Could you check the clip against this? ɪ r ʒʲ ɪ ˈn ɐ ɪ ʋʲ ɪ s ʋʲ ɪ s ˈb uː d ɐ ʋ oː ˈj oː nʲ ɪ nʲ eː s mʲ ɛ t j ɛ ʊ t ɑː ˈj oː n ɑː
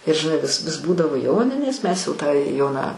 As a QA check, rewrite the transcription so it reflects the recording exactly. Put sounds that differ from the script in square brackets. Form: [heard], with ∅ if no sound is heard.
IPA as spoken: ɪ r ʒʲ ɪ ˈn ɐ ɪ ʋʲ ɪ s ʋʲ ɪ s ˈb uː d ɐ ʋ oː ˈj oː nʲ ɪ nʲ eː s mʲ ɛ [s] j ɛ ʊ t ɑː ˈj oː n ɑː